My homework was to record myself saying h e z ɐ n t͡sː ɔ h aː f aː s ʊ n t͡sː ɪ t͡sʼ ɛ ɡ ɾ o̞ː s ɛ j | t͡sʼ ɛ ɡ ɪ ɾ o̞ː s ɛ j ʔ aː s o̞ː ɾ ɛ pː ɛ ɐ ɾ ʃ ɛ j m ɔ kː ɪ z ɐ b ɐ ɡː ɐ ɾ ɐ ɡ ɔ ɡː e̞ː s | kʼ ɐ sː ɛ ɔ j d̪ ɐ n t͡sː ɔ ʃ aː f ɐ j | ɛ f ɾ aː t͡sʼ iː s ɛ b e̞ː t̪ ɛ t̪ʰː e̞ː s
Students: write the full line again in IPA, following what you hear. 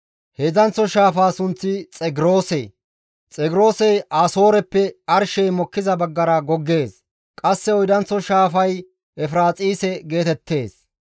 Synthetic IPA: h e z ɐ n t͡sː ɔ ʃ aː f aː s ʊ n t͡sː ɪ t͡sʼ ɛ ɡ ɾ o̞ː s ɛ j | t͡sʼ ɛ ɡ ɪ ɾ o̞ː s ɛ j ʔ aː s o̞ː ɾ ɛ pː ɛ ɐ ɾ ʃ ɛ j m ɔ kː ɪ z ɐ b ɐ ɡː ɐ ɾ ɐ ɡ ɔ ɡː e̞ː s | kʼ ɐ sː ɛ ɔ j d̪ ɐ n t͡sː ɔ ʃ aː f ɐ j | ɛ f ɾ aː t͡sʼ iː s ɛ ɡ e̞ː t̪ ɛ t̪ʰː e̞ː s

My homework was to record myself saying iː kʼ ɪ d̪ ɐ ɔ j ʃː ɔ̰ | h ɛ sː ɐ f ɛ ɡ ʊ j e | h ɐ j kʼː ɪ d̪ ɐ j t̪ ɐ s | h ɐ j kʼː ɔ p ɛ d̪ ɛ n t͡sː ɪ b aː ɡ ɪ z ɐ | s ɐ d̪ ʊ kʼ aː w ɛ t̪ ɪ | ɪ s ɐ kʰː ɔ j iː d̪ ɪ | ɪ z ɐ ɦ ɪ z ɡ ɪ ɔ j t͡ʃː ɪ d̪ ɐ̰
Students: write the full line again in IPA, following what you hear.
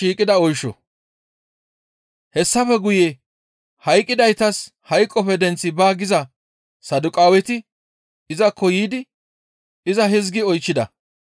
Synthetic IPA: iː kʼ ɪ d̪ ɐ ɔ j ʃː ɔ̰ | h ɛ sː ɐ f ɛ ɡ ʊ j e | h ɐ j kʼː ɪ d̪ ɐ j t̪ ɐ s | h ɐ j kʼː ɔ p ɛ d̪ ɛ n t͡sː ɪ b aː ɡ ɪ z ɐ | s ɐ d̪ ʊ kʼ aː w ɛ t̪ ɪ | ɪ z ɐ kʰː ɔ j iː d̪ ɪ | ɪ z ɐ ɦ ɪ z ɡ ɪ ɔ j t͡ʃː ɪ d̪ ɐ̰

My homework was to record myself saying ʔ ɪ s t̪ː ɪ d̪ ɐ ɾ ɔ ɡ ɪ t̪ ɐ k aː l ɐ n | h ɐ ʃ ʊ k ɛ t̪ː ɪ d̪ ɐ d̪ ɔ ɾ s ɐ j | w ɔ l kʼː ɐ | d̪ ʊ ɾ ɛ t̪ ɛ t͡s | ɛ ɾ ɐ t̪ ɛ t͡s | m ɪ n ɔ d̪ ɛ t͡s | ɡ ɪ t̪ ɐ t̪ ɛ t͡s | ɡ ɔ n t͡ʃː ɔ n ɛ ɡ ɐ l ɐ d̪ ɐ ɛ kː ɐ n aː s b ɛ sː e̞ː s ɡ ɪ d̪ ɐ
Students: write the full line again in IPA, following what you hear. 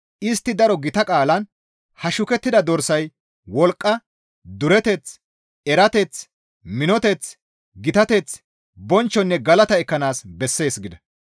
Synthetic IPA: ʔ ɪ s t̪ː ɪ d̪ ɐ ɾ ɔ ɡ ɪ t̪ ɐ kʼ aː l ɐ n | h ɐ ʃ ʊ k ɛ t̪ː ɪ d̪ ɐ d̪ ɔ ɾ s ɐ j | w ɔ l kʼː ɐ | d̪ ʊ ɾ ɛ t̪ ɛ t͡s | ɛ ɾ ɐ t̪ ɛ t͡s | m ɪ n ɔ t̪ ɛ t͡s | ɡ ɪ t̪ ɐ t̪ ɛ t͡s | b ɔ n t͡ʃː ɔ nː ɛ ɡ ɐ l ɐ t̪ ɐ ɛ kː ɐ n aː s b ɛ sː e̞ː s ɡ ɪ d̪ ɐ

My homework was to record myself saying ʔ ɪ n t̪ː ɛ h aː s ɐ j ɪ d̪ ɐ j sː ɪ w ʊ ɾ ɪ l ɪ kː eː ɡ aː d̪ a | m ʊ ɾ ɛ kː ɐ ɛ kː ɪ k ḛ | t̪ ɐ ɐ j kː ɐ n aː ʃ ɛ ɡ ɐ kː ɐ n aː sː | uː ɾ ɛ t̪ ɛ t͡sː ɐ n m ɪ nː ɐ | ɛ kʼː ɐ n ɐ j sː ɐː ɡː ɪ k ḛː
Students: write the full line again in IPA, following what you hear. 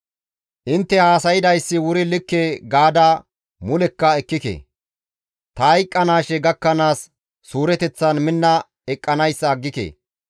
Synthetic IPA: ʔ ɪ n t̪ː ɛ h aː s ɐ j ɪ d̪ ɐ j sː ɪ w ʊ ɾ ɪ l ɪ kː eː ɡ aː d̪ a | m ʊ l ɛ kː ɐ ɛ kː ɪ k ḛ | t̪ ɐ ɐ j kʼː ɐ n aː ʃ ɛ ɡ ɐ kː ɐ n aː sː | uː ɾ ɛ t̪ ɛ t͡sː ɐ n m ɪ nː ɐ | ɛ kʼː ɐ n ɐ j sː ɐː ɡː ɪ k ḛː

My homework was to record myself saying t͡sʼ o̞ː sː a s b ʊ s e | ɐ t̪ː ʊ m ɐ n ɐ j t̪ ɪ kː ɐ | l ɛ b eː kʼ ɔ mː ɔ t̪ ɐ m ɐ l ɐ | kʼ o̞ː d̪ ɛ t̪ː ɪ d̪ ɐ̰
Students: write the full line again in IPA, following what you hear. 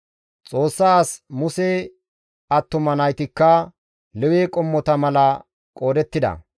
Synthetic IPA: t͡sʼ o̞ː sː a s m ʊ s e | ɐ t̪ː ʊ m ɐ n ɐ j t̪ ɪ kː ɐ | l ɛ w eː kʼ ɔ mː ɔ t̪ ɐ m ɐ l ɐ | kʼ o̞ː d̪ ɛ t̪ː ɪ d̪ ɐ̰

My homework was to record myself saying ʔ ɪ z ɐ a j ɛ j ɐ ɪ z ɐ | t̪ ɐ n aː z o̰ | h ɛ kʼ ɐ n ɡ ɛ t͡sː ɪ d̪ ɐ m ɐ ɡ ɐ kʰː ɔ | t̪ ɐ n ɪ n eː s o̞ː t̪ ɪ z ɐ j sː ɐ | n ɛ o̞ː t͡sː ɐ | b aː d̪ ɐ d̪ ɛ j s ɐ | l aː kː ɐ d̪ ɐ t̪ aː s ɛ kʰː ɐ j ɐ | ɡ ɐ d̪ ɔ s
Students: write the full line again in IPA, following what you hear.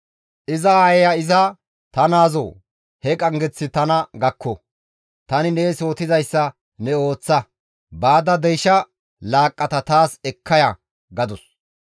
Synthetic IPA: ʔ ɪ z ɐ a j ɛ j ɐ ɪ z ɐ | t̪ ɐ n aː z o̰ | h ɛ kʼ ɐ ŋ ɡ ɛ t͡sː ɪ t̪ ɐ n ɐ ɡ ɐ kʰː ɔ | t̪ ɐ n ɪ n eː s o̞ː t̪ ɪ z ɐ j sː ɐ | n ɛ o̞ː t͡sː ɐ | b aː d̪ ɐ d̪ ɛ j ʃ ɐ | l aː kʼː ɐ t̪ ɐ t̪ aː s ɛ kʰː ɐ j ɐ | ɡ ɐ d̪ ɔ s

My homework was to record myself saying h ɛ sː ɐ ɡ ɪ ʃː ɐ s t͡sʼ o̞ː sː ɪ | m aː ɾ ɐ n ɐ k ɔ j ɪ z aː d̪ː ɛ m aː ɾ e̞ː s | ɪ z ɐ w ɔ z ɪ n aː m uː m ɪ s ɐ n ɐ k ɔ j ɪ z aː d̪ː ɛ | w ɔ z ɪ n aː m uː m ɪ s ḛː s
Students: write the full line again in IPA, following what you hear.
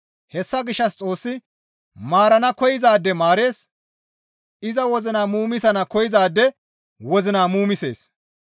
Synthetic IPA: h ɛ sː ɐ ɡ ɪ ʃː ɐ s t͡sʼ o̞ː sː ɪ | m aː ɾ ɐ n ɐ k ɔ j ɪ z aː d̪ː ɛ m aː ɾ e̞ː s | ɪ z ɐ w ɔ z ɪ n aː m uː m ɪ s ɐ n ɐ k ɔ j ɪ z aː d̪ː ɛ | w ɔ z ɪ n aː m uː m ɪ s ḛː s

